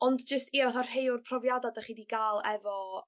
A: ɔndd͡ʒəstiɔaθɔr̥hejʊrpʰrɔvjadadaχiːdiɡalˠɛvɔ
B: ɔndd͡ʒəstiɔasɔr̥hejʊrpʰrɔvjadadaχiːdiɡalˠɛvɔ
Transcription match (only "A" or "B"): A